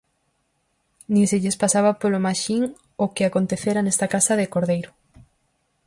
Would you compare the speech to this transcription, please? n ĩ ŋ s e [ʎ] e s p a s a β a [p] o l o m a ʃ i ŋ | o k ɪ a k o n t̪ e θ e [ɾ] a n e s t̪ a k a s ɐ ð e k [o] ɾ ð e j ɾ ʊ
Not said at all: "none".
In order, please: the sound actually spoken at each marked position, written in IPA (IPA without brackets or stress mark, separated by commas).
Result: ʎ, p, ɾ, o